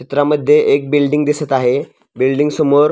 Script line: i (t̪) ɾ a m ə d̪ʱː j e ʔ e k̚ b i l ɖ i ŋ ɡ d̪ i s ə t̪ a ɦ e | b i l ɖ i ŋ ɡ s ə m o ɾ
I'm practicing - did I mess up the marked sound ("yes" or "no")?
no